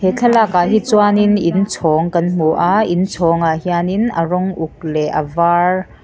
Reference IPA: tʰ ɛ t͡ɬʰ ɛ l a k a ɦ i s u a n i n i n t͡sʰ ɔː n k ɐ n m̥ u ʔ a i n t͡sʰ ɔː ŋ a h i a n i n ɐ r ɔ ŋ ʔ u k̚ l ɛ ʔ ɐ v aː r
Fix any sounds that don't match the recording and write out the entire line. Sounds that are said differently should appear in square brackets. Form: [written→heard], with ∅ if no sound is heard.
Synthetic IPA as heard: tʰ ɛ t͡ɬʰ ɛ l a k a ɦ i [s→t͡s] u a n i n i n t͡sʰ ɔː [n→ŋ] k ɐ n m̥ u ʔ a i n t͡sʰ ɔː ŋ a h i a n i n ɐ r ɔ ŋ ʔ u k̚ l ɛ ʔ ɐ v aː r